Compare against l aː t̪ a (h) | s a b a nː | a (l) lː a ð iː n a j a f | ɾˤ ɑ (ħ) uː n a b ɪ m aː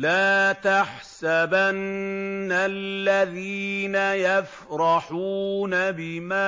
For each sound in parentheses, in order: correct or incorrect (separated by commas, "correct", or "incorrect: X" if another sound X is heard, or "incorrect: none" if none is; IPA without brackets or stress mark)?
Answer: incorrect: ħ, correct, correct